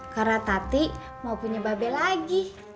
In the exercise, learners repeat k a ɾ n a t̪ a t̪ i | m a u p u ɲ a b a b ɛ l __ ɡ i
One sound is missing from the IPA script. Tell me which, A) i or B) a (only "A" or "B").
B